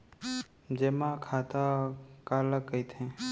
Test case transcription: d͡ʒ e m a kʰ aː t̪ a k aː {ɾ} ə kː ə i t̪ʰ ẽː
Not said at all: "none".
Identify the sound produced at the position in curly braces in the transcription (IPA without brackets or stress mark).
l